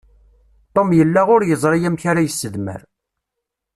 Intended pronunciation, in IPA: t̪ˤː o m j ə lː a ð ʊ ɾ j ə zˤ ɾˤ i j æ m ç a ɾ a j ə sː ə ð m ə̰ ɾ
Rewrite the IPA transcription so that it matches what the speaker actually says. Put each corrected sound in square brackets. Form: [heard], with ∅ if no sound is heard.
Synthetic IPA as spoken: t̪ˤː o m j ə lː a [ʁ] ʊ ɾ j ə zˤ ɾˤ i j æ m ç a ɾ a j ə sː ə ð m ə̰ ɾ